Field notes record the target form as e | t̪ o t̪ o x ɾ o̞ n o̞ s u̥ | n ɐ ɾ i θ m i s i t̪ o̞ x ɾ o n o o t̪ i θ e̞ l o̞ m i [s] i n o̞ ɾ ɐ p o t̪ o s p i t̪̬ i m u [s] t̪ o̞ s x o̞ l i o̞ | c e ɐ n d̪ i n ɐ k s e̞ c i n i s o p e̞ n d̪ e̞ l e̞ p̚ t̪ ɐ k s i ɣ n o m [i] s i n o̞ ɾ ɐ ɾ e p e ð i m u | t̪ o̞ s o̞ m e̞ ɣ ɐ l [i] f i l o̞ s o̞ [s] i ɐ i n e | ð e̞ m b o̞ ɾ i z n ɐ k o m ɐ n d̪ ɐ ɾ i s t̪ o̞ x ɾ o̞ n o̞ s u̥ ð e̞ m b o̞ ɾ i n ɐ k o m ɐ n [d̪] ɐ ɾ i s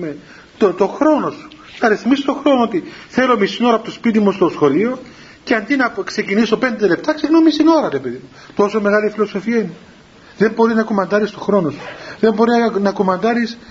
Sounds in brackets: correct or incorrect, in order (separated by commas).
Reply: correct, correct, correct, correct, incorrect, correct